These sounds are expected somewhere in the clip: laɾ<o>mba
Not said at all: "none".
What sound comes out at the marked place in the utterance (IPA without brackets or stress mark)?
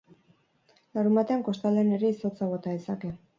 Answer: u